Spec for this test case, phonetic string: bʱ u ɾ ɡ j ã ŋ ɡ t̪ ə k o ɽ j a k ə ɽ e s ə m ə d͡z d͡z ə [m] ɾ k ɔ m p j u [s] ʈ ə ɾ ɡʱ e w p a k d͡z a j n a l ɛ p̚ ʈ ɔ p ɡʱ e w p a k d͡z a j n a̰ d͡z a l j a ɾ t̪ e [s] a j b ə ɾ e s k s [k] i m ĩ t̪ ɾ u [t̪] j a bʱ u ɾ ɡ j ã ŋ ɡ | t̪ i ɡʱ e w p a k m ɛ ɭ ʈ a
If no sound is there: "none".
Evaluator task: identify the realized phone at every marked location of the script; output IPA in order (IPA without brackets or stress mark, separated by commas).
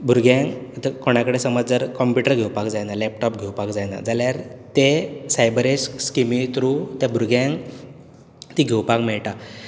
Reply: none, none, s, k, t̪